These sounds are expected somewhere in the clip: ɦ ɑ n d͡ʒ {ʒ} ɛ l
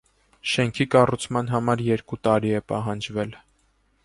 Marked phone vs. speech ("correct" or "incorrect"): incorrect